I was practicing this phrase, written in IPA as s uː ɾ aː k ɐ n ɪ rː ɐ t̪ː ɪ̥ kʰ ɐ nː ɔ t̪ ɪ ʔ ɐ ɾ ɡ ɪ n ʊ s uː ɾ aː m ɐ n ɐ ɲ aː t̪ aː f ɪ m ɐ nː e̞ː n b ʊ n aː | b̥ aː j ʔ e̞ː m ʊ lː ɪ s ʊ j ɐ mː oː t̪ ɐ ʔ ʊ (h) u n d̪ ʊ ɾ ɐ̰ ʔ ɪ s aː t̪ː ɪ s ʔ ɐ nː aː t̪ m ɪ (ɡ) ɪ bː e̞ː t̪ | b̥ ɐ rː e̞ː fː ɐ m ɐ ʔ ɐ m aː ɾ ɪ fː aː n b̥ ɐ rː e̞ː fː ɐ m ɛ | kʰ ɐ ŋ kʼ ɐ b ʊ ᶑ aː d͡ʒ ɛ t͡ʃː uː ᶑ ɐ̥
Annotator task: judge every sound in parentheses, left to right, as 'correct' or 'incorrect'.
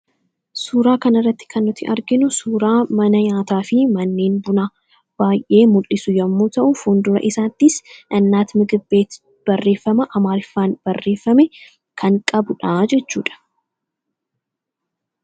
incorrect, correct

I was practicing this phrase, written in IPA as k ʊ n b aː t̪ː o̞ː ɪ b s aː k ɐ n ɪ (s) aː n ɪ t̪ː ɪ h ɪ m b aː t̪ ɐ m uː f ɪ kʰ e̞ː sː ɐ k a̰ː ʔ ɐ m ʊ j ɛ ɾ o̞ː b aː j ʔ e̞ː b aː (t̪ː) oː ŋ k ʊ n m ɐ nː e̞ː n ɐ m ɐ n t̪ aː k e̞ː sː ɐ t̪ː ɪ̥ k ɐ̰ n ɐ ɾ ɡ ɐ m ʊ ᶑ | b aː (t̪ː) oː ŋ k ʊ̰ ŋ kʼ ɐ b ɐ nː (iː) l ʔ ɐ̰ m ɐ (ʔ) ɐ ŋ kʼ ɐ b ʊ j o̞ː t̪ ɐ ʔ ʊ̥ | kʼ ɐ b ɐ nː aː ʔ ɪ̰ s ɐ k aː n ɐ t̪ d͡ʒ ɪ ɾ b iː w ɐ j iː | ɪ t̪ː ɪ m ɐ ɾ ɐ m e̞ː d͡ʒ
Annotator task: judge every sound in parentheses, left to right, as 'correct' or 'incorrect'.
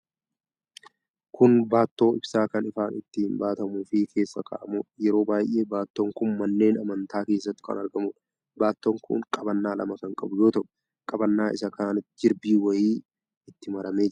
incorrect, correct, correct, incorrect, incorrect

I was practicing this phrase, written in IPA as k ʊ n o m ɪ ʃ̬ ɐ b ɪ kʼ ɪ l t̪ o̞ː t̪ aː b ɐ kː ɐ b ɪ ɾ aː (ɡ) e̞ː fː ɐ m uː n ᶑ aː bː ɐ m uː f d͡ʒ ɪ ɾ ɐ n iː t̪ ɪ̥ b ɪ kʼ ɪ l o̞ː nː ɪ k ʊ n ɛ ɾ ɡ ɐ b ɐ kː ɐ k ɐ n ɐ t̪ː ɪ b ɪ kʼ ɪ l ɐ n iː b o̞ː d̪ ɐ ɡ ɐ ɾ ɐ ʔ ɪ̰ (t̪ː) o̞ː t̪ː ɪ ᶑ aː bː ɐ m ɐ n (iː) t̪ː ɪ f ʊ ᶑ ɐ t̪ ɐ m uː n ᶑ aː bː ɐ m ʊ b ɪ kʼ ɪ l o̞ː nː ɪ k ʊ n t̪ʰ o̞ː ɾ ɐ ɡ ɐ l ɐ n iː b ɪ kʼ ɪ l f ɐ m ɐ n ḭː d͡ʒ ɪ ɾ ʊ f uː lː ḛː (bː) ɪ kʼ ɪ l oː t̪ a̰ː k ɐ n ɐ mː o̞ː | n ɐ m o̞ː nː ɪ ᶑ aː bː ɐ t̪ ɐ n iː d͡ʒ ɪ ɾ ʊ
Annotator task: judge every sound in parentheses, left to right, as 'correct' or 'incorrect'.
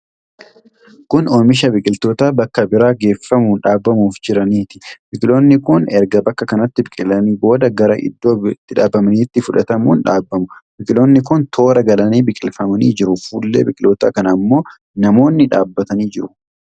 correct, incorrect, correct, incorrect

